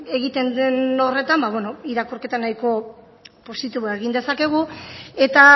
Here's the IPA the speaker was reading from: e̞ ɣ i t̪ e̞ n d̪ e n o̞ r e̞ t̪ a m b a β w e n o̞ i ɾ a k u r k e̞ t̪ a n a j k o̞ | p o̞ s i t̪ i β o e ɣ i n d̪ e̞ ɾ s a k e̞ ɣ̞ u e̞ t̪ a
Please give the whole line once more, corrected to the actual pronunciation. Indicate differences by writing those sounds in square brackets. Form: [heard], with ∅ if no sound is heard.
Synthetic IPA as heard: e̞ ɣ i t̪ e̞ n d̪ e n o̞ r e̞ t̪ a m b a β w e n o̞ i ɾ a k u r k e̞ t̪ a n a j k o̞ | p o̞ s i t̪ i β o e ɣ i n d̪ e̞ [∅] s a k e̞ ɣ̞ u e̞ t̪ a